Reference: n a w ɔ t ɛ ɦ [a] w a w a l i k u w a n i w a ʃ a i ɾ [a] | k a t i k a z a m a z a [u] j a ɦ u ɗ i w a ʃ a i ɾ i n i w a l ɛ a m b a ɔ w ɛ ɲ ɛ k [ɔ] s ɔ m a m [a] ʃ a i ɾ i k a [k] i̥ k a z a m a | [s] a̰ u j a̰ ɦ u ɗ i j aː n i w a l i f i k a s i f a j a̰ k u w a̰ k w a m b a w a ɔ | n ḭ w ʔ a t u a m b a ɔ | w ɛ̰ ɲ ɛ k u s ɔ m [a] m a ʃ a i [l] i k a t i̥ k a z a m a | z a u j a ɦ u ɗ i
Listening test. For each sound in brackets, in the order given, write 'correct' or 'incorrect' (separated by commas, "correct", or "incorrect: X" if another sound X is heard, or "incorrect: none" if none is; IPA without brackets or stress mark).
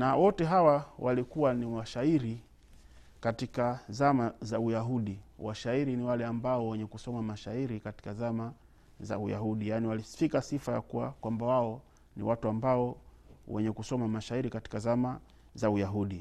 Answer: correct, incorrect: i, correct, incorrect: u, correct, incorrect: t, incorrect: z, correct, incorrect: ɾ